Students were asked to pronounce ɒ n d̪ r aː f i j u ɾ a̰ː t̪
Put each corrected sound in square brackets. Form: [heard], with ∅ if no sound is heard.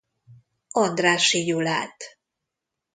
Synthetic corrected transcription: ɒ n d̪ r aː [ʃ] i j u [l] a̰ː t̪